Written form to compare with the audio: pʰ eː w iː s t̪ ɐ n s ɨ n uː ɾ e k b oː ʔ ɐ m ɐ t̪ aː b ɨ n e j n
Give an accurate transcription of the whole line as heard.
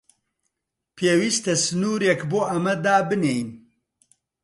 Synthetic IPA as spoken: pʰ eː w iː s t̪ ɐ s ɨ n uː ɾ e k b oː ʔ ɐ m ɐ d̪ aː b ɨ n e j n